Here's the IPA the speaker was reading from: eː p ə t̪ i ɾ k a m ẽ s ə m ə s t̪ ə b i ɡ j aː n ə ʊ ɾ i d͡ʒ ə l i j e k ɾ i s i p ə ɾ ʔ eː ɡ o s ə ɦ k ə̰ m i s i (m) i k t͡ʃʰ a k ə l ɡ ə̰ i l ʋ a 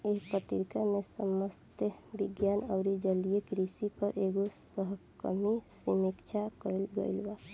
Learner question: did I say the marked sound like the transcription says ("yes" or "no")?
yes